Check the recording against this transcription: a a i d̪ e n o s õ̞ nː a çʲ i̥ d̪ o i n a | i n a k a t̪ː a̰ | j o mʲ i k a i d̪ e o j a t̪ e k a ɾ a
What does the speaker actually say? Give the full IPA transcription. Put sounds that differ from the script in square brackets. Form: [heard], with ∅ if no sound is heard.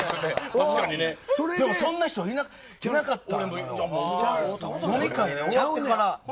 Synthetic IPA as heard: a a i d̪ e [m] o s õ̞ nː a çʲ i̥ [t̪] o i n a | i n a k a t̪ː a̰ | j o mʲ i k a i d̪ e o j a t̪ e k a ɾ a